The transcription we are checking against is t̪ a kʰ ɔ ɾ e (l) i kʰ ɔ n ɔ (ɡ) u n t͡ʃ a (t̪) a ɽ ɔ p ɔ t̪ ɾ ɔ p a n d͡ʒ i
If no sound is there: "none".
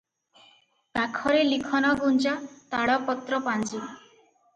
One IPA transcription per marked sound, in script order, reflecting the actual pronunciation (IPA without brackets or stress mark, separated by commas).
l, ɡ, t̪